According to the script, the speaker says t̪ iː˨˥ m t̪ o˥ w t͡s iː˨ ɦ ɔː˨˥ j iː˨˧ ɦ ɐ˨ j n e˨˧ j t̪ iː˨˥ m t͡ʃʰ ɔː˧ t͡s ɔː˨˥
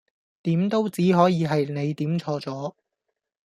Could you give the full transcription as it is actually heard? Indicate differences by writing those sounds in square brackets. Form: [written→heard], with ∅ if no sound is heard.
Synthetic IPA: t̪ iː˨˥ m t̪ o˥ w t͡s [iː˨→iː˨˥] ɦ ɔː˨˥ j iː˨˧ ɦ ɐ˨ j n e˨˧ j t̪ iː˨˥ m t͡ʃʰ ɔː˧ t͡s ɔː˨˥